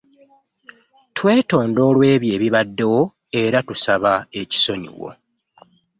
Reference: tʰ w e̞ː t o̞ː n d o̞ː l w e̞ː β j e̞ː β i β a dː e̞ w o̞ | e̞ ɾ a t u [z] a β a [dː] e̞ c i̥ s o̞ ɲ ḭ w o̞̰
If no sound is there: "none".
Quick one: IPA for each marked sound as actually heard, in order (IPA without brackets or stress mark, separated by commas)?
s, none